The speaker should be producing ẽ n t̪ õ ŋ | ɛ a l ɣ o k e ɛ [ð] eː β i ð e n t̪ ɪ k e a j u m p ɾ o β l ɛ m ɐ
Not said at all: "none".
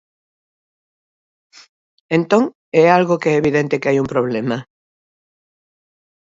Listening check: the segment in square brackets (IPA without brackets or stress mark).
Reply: none